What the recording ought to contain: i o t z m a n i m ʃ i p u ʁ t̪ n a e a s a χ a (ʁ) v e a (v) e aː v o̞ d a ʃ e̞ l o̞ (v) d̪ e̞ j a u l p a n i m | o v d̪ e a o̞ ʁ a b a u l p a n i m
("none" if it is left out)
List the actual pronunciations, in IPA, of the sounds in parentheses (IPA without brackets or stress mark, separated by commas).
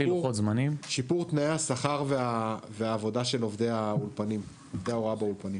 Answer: ʁ, v, v